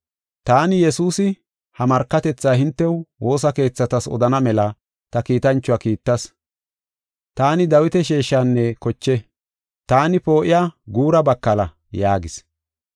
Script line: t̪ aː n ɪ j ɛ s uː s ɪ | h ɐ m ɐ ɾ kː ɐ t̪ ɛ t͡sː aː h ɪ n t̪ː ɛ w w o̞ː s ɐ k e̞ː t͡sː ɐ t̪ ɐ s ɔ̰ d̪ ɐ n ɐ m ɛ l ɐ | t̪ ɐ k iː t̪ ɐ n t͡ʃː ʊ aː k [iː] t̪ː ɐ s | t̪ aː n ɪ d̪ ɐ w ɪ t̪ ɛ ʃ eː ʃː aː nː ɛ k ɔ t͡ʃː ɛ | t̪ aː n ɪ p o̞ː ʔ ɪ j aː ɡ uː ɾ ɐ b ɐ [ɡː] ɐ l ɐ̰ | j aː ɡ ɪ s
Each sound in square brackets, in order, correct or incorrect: correct, incorrect

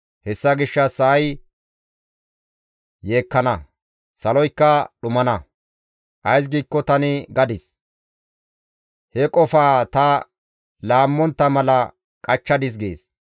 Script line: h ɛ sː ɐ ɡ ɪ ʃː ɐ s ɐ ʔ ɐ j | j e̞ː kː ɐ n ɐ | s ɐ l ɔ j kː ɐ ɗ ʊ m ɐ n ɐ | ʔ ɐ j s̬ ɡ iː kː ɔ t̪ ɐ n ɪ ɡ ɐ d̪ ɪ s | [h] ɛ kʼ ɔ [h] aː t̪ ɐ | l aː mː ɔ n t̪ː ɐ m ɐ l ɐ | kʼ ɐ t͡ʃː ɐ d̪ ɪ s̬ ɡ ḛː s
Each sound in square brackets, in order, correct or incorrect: correct, incorrect

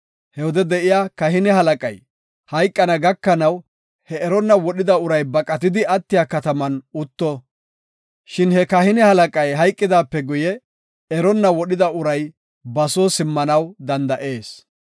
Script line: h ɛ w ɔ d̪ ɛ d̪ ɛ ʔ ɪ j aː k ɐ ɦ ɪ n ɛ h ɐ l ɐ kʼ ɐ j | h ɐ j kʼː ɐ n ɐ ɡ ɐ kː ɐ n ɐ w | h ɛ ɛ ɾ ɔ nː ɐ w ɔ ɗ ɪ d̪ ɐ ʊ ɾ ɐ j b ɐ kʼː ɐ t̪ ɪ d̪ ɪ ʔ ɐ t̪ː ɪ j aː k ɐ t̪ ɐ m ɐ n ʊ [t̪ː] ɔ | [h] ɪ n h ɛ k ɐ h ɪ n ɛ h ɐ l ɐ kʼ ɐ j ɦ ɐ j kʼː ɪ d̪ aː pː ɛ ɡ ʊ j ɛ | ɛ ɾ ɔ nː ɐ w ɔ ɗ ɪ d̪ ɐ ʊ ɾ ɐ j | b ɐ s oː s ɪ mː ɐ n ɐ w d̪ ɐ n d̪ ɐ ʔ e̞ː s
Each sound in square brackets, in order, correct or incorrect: correct, incorrect

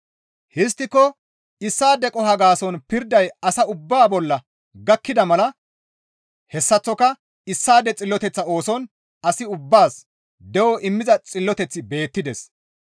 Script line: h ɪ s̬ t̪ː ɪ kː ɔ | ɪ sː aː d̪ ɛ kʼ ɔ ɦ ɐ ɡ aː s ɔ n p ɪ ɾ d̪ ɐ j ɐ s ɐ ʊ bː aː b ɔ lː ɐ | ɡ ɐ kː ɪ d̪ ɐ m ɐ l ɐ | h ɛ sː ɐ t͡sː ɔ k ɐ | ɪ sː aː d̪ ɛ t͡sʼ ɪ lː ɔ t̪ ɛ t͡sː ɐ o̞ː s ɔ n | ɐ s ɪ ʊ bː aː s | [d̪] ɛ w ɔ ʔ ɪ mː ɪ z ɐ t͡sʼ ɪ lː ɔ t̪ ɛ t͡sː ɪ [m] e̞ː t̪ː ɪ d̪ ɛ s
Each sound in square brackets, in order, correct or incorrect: correct, incorrect

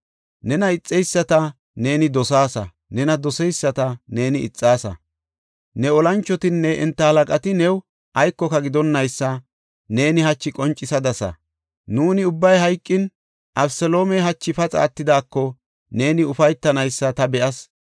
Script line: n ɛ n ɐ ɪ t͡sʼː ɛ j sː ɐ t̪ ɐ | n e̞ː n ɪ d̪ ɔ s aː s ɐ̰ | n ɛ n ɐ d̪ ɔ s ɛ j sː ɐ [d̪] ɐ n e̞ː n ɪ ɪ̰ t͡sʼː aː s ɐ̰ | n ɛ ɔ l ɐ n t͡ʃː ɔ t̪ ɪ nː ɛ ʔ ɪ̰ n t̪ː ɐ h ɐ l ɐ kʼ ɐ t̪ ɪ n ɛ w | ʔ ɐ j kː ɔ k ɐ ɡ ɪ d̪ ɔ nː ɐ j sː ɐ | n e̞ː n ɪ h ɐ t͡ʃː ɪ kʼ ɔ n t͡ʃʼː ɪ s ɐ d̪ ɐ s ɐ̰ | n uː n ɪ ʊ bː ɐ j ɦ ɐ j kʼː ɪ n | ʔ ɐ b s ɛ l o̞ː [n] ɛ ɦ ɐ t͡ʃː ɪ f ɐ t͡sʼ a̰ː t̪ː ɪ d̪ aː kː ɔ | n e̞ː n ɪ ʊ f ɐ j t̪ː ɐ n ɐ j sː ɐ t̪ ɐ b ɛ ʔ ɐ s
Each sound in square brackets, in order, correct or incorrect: incorrect, incorrect

